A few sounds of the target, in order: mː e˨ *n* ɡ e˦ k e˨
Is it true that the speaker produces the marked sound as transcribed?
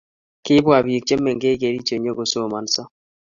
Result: no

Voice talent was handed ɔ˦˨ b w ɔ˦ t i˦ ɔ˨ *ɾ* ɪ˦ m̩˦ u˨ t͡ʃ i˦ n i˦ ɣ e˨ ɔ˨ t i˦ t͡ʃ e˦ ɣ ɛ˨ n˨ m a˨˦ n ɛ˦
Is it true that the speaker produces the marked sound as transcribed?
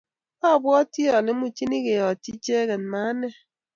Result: no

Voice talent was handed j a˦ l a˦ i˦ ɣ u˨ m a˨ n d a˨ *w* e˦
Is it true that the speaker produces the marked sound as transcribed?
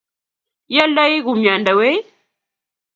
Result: yes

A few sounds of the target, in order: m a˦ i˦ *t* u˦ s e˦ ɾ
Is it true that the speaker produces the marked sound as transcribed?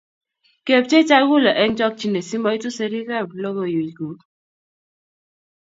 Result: yes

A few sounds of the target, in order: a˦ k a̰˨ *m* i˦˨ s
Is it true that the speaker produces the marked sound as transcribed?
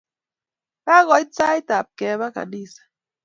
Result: no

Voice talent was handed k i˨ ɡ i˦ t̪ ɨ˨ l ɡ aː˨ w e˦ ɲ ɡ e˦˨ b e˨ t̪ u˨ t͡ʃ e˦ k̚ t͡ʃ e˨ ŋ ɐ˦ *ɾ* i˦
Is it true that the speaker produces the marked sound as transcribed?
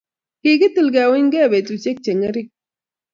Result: yes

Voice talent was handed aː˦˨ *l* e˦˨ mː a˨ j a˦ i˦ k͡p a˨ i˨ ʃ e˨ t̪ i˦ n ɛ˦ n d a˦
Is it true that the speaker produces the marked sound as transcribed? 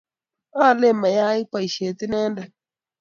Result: yes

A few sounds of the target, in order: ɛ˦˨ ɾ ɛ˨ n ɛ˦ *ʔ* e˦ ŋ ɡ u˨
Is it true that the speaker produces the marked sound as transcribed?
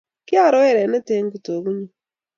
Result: no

